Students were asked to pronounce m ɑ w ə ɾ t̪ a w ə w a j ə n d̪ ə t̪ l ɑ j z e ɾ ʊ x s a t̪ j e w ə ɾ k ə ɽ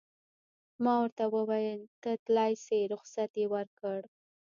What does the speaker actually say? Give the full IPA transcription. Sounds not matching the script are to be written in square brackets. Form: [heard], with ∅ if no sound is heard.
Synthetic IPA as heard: m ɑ w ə ɾ t̪ a w ə w a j ə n [t̪] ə t̪ l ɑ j [s] e ɾ ʊ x s a t̪ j e w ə ɾ k ə ɽ